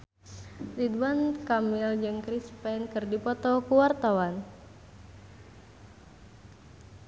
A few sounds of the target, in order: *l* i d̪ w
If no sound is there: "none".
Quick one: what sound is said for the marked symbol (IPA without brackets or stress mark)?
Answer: l